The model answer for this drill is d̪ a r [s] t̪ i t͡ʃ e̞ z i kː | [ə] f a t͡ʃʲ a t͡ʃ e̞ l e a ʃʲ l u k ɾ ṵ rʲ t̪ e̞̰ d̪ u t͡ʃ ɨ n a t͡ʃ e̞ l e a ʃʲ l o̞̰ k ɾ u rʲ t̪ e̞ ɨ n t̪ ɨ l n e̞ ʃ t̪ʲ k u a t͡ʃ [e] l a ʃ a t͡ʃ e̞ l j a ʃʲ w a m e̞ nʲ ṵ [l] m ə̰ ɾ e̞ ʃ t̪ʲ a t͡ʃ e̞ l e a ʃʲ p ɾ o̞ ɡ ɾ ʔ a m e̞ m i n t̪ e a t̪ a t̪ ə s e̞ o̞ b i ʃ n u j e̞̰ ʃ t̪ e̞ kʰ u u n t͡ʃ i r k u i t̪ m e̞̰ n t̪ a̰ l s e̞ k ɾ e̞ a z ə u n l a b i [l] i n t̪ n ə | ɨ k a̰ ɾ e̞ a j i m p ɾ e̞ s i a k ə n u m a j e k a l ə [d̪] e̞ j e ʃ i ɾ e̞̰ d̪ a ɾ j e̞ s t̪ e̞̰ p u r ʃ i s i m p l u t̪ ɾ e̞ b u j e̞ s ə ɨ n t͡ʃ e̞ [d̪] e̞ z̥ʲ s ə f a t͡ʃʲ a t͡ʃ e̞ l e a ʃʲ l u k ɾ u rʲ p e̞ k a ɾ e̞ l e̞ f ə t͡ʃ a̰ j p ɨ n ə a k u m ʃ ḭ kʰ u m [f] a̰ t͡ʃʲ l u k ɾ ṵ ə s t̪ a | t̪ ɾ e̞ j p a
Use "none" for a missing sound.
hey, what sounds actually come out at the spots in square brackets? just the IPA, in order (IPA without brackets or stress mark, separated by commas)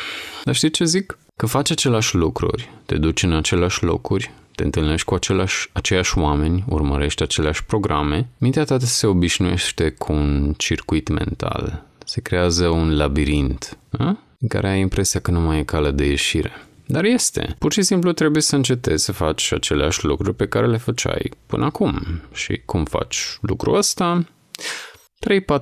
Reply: ʃ, ə, e, r, ɾ, d̪, t̪, f